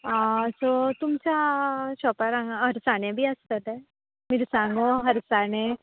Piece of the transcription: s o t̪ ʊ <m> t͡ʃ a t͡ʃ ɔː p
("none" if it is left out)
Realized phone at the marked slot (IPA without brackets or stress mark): m